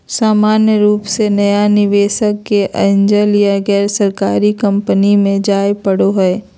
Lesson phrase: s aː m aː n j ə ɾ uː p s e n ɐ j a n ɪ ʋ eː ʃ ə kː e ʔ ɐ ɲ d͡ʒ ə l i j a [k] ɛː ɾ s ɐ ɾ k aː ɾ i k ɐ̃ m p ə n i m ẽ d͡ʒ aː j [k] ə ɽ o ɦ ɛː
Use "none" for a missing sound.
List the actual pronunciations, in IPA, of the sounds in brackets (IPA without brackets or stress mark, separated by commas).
ɡ, p